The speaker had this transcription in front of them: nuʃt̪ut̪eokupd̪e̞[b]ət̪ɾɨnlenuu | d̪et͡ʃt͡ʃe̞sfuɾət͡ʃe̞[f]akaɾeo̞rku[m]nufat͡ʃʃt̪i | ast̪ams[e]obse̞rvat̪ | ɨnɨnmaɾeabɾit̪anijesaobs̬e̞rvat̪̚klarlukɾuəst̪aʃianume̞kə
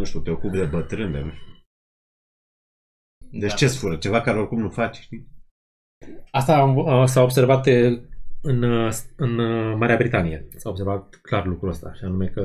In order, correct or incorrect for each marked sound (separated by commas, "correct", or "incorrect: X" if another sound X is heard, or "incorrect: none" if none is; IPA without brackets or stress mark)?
correct, incorrect: v, correct, incorrect: a